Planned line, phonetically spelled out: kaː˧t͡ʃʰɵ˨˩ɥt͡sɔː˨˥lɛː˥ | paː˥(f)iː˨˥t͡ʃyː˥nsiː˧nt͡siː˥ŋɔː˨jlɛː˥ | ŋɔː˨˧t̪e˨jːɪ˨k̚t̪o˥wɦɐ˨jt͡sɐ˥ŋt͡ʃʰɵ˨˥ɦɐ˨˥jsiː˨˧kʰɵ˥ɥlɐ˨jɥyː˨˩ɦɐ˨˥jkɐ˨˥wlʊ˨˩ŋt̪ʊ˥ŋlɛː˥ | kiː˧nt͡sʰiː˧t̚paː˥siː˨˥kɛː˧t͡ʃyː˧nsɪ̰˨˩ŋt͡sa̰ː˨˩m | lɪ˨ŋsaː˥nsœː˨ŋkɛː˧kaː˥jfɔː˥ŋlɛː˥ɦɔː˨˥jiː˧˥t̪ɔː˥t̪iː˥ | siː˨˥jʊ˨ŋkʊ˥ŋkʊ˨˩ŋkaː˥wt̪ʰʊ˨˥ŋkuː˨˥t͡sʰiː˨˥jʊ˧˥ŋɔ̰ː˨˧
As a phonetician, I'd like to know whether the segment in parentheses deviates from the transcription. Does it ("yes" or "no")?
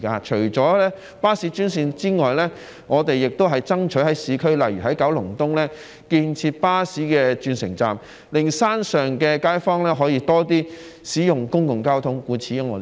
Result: yes